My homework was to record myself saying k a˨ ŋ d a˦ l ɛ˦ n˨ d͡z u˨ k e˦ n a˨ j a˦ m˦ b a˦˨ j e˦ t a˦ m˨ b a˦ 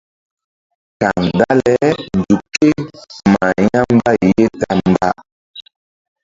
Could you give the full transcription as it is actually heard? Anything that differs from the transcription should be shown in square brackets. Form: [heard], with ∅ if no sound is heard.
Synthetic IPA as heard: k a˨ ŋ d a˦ l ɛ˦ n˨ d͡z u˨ k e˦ [m] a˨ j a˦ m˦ b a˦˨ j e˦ t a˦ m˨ b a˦